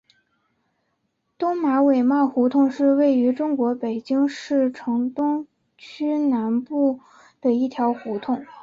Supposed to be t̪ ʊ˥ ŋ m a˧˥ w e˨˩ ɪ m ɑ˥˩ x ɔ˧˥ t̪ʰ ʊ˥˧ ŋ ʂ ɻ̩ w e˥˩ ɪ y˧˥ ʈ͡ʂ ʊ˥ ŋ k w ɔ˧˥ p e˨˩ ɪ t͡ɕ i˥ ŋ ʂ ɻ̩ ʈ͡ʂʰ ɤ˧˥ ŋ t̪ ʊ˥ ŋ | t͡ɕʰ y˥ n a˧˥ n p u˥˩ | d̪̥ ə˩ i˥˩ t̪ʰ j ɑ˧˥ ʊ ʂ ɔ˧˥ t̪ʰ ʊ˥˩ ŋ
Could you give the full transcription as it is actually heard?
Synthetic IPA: t̪ ʊ˥ ŋ m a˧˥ w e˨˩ ɪ m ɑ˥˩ x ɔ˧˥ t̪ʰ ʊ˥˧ ŋ ʂ ɻ̩ w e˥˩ ɪ y˧˥ ʈ͡ʂ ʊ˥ ŋ k w ɔ˧˥ p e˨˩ ɪ t͡ɕ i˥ ŋ ʂ ɻ̩ ʈ͡ʂʰ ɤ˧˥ ŋ t̪ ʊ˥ ŋ | t͡ɕʰ y˥ n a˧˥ n p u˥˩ | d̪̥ ə˩ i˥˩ t̪ʰ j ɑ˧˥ ʊ x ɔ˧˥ t̪ʰ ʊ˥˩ ŋ